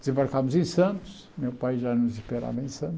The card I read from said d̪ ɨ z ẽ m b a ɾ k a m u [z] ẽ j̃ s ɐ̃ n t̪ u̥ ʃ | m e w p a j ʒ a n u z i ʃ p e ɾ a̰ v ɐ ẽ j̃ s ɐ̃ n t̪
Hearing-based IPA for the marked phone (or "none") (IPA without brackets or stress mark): z